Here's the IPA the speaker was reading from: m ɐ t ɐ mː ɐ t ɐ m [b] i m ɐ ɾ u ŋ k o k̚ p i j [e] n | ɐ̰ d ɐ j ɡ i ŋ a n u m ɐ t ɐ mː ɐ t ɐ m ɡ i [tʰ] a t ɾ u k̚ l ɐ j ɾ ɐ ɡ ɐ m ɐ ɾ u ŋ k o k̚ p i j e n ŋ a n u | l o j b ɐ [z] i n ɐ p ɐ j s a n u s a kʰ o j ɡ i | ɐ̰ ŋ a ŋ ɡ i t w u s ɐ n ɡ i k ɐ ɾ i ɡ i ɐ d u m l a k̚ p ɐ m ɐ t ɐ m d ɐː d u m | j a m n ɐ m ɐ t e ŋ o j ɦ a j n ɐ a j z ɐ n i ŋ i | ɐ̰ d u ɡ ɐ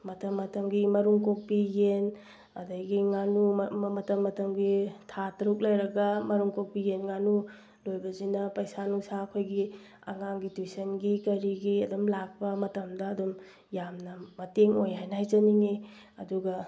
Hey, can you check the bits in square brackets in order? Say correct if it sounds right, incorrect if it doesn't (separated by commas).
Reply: incorrect, correct, correct, correct